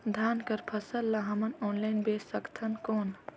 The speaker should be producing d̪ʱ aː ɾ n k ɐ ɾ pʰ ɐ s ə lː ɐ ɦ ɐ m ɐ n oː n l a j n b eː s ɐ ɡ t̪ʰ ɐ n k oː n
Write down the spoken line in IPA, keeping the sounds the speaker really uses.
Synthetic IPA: d̪ʱ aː n k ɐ ɾ pʰ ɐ s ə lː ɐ ɦ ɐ m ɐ n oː n l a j n b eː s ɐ k t̪ʰ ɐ n k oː n